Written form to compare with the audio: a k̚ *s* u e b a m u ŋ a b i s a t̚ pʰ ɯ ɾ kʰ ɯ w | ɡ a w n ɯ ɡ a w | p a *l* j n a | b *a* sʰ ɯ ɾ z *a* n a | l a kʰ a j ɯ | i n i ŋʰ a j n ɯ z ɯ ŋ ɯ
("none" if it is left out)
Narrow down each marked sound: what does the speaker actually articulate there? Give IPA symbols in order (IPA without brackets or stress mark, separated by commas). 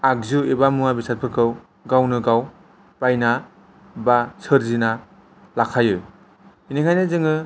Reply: z, none, a, i